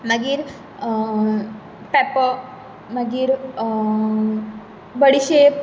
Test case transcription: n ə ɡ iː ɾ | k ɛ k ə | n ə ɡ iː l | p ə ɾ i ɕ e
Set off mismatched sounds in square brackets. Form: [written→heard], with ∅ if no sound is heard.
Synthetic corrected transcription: n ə ɡ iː ɾ | [k→p] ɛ [k→p] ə | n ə ɡ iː [l→ɾ] | [p→b] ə [ɾ→ɽ] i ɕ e